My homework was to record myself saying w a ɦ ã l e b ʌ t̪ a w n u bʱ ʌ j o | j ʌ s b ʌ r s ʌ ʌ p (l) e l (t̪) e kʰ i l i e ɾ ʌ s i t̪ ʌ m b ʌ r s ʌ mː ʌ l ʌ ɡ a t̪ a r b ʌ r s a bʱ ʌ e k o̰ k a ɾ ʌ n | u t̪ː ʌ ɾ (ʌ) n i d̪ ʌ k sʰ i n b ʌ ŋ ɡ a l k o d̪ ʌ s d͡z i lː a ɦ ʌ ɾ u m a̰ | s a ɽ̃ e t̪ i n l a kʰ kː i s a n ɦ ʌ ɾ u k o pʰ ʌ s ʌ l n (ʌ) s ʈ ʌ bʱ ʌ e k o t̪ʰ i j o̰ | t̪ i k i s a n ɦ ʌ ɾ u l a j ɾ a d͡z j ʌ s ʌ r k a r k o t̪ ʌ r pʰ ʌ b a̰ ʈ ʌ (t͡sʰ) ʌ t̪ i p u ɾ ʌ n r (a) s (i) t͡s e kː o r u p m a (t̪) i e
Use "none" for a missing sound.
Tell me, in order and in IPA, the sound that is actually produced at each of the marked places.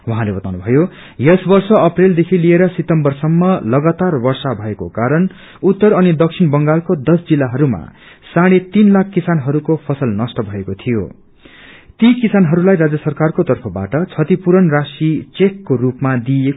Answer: r, d̪, ʌ, ʌ, t͡sʰ, a, i, d̪

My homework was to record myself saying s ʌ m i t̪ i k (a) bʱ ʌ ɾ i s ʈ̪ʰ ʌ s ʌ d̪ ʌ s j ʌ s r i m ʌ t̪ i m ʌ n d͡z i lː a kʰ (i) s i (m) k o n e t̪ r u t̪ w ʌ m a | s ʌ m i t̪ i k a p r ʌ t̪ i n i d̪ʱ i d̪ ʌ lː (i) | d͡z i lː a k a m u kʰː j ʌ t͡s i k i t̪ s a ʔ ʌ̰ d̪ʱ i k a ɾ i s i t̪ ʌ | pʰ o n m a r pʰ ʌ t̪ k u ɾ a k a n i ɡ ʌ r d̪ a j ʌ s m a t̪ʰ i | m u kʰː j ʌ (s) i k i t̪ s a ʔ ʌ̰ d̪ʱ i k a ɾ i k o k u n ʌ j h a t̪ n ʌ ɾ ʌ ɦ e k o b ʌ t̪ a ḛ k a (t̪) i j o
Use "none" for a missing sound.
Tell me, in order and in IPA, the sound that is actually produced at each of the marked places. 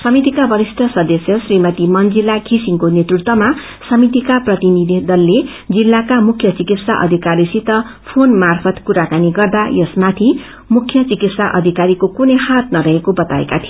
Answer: a, i, ŋ, e, t͡s, t̪ʰ

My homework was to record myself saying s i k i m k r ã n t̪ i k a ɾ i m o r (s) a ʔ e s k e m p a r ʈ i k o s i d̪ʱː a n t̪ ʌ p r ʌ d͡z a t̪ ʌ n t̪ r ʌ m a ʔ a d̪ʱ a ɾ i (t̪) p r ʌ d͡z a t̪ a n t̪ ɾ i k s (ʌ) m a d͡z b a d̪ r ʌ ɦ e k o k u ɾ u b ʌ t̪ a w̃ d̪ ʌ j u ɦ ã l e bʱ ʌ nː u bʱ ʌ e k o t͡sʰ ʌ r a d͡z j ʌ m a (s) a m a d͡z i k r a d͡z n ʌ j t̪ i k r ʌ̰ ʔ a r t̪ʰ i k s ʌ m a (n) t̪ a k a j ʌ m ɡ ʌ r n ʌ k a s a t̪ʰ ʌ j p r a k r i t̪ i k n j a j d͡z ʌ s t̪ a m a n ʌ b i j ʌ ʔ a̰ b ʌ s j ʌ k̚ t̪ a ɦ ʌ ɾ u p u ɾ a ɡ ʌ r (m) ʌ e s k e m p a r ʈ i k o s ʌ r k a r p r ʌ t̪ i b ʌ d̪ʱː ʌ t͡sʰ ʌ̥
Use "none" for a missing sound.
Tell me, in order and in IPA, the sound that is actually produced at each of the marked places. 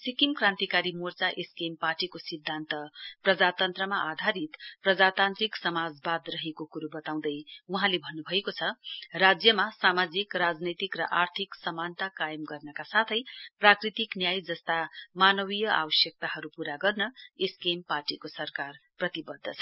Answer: t͡s, t̪, ʌ, s, n, n

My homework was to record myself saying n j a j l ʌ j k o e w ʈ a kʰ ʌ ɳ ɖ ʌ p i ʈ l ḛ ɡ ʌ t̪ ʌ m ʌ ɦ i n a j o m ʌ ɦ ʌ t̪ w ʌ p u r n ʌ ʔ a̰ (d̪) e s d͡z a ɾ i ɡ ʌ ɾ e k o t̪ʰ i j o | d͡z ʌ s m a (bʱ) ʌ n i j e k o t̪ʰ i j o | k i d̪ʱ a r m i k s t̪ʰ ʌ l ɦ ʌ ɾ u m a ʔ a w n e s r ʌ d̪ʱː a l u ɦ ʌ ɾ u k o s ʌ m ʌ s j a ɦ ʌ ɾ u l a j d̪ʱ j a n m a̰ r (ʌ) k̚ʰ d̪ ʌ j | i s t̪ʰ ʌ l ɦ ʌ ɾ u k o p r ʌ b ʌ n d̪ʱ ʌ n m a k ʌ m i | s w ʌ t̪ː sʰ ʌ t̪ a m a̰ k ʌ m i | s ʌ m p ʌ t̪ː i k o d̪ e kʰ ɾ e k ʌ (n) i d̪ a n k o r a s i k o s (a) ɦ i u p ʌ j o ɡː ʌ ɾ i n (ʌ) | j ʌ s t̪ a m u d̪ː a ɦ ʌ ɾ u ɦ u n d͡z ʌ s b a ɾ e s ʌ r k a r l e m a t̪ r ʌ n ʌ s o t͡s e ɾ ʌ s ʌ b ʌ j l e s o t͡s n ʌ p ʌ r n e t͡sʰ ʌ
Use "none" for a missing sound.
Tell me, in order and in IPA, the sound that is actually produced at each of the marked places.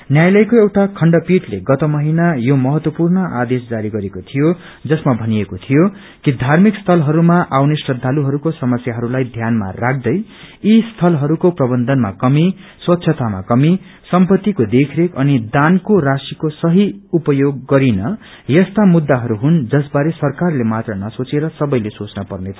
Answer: d̪, bʱ, a, n, ʌ, ʌ

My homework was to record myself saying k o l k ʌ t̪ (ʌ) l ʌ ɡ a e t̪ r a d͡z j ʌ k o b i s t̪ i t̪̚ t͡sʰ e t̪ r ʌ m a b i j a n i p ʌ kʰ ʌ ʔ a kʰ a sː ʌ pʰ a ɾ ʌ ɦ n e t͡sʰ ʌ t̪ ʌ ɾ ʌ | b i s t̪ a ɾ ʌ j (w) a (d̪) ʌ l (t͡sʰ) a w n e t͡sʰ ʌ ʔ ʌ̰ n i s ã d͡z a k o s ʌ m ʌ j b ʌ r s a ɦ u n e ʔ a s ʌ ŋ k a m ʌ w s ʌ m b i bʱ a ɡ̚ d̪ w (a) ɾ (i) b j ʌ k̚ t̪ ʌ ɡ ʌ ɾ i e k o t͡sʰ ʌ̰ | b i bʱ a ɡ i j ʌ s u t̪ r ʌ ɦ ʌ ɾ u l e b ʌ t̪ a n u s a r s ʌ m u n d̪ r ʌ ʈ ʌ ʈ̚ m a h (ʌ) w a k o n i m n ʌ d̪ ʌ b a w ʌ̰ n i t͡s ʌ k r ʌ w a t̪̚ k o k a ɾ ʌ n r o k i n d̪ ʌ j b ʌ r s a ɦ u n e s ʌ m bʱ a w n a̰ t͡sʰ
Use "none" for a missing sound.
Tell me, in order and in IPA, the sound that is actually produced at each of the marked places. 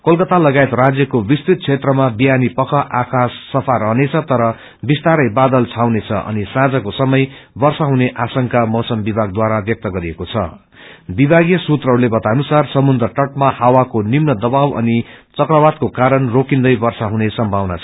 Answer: a, b, d̪, t͡sʰ, a, a, a

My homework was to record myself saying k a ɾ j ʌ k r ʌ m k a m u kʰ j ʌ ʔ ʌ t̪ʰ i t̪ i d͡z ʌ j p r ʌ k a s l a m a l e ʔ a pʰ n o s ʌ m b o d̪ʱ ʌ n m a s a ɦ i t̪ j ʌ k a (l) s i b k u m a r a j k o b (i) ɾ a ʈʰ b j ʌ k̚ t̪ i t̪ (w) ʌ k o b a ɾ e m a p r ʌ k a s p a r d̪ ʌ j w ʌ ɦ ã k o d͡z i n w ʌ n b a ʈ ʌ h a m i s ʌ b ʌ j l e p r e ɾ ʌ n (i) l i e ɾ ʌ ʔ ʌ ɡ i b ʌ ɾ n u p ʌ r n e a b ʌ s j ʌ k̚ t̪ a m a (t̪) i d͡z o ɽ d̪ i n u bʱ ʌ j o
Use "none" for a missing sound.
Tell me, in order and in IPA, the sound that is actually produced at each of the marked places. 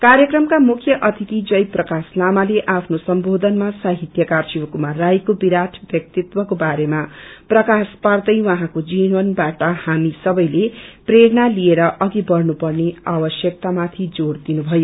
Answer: r, i, w, a, t̪ʰ

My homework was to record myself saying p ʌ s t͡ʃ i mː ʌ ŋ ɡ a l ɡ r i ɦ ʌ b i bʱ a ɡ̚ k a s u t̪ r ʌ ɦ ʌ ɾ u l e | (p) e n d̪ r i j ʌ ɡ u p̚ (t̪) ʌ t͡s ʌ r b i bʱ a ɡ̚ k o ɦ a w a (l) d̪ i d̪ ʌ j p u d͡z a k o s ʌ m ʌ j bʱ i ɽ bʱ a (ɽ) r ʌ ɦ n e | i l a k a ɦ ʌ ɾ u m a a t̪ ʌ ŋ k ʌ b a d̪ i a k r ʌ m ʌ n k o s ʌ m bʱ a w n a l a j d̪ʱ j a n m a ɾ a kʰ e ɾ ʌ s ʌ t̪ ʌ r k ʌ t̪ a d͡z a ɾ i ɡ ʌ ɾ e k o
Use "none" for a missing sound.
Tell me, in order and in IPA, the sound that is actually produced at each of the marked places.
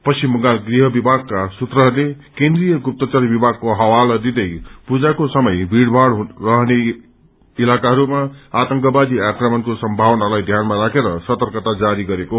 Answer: k, t̪, l, ɽ

